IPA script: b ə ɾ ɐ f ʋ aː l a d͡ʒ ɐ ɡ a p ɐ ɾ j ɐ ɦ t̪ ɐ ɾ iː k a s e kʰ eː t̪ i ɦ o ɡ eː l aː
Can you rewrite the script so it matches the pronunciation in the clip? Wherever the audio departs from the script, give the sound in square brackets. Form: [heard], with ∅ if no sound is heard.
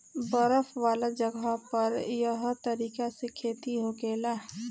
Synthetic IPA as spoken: b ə ɾ [ə] f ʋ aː l a d͡ʒ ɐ ɡ a p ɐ ɾ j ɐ ɦ t̪ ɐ ɾ iː k a s e kʰ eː t̪ i ɦ o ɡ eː l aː